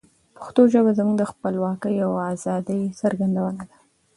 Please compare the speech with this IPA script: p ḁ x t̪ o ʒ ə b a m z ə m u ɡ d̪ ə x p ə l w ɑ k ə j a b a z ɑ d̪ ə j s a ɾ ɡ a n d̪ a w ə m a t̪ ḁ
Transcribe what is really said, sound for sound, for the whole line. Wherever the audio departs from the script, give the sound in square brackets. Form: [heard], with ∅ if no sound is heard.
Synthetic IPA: p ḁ x t̪ o ʒ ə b a [∅] z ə m u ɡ d̪ ə x p ə l w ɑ k ə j a [w] a z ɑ d̪ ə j s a ɾ ɡ a n d̪ a w ə [n] a [d̪] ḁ